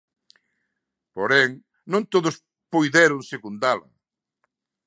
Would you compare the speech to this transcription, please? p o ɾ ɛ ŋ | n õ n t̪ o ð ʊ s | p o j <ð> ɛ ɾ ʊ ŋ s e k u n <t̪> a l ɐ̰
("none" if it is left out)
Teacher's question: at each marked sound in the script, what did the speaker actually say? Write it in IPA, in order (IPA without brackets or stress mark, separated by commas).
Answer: ð, d̪